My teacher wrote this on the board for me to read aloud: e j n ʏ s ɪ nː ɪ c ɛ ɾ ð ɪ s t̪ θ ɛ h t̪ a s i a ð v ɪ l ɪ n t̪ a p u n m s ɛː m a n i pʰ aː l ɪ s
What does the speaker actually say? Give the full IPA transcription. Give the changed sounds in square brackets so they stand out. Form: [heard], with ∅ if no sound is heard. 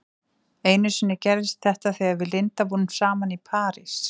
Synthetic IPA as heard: e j n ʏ s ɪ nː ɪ c ɛ ɾ ð ɪ s t̪ θ ɛ h t̪ a [θ] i a ð v ɪ l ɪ n t̪ a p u n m s [aː] m a n i pʰ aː [ɾ] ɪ s